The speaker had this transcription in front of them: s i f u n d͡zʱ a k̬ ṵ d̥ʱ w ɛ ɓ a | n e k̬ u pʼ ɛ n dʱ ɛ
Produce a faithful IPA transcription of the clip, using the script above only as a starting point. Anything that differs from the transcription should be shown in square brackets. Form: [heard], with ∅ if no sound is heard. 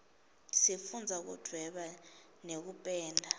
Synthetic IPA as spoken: s i f u n d͡zʱ a k̬ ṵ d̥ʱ w ɛ ɓ a | n e k̬ u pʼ [ɛː] n dʱ [a]